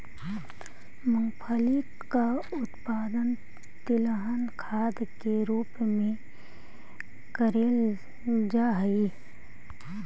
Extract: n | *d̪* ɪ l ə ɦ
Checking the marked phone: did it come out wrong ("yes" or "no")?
yes